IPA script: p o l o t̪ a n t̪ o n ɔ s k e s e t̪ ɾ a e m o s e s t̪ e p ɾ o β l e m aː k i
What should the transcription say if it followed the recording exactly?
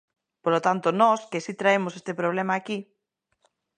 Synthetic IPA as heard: p o l o t̪ a n t̪ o n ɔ s k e s i t̪ ɾ a e m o s e s t̪ e p ɾ o β l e m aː k i